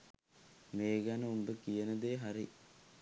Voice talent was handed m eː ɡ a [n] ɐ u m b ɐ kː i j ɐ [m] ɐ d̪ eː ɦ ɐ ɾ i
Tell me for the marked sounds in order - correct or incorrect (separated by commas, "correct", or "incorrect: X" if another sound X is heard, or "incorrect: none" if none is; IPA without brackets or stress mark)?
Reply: correct, incorrect: n